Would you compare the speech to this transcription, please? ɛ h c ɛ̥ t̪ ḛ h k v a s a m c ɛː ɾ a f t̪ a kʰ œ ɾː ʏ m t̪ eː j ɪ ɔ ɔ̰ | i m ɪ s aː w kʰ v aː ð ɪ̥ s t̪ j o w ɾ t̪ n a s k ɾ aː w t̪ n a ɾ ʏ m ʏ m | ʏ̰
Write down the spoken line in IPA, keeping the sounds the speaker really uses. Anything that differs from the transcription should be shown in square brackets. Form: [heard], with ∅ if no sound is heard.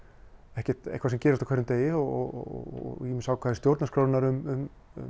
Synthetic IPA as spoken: ɛ h c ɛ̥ t̪ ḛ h k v a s [ɛ] m c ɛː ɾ a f t̪ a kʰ [ɛ] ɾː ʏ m t̪ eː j ɪ ɔ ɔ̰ | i m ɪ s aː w kʰ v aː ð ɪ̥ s t̪ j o w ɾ t̪ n a s k ɾ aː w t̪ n a ɾ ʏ m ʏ m | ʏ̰